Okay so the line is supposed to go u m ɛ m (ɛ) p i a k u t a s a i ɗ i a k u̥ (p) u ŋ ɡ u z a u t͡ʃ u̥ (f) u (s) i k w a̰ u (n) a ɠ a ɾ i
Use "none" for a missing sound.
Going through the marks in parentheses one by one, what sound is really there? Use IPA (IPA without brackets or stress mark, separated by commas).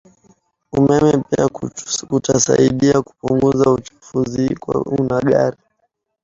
ɛ, p, f, z, n